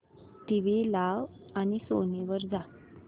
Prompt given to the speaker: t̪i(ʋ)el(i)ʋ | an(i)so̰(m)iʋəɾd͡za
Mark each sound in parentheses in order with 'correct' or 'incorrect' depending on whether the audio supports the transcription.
correct, incorrect: a, correct, incorrect: n

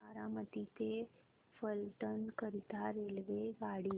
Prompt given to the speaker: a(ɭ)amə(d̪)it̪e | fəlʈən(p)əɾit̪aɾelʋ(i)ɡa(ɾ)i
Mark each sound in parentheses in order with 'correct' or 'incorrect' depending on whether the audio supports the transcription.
incorrect: ɾ, incorrect: t̪, incorrect: k, incorrect: e, incorrect: ɽ

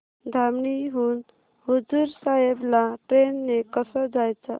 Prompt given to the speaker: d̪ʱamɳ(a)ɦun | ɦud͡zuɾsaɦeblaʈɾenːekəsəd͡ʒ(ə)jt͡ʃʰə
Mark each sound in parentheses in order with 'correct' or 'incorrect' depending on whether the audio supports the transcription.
incorrect: i, incorrect: a

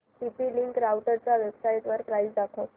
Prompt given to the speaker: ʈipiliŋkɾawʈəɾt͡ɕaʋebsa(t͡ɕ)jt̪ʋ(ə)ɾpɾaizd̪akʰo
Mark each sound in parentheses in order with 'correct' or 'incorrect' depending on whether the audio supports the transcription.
incorrect: none, correct

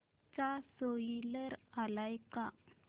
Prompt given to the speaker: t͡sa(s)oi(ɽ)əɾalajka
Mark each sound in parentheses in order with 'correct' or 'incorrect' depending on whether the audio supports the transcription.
correct, incorrect: l

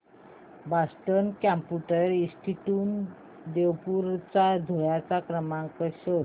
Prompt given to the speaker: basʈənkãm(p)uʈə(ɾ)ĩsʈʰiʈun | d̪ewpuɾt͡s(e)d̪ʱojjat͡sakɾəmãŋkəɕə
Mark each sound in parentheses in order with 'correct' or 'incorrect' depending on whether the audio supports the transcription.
correct, correct, incorrect: a

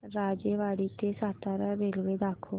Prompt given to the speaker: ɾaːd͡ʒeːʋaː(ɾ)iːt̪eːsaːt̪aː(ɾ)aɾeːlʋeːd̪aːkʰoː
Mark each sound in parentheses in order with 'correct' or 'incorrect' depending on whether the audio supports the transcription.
incorrect: ɽ, correct

